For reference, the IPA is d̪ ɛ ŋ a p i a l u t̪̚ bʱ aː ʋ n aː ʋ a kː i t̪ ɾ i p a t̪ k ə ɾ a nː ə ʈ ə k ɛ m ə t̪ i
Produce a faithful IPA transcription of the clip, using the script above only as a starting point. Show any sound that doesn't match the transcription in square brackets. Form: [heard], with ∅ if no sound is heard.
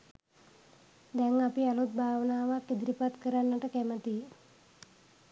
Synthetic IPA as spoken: d̪ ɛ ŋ a p i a l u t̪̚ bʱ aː ʋ n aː ʋ a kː i [d̪] ɾ i p a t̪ k ə ɾ a nː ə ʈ ə k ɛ m ə t̪ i